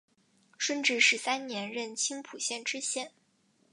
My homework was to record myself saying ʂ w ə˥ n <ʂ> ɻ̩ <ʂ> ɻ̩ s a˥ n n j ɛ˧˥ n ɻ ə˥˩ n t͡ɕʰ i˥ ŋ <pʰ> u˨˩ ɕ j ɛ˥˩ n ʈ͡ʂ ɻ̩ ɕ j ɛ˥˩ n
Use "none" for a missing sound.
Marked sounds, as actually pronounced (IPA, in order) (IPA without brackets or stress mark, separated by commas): ʈ͡ʂ, ʂ, pʰ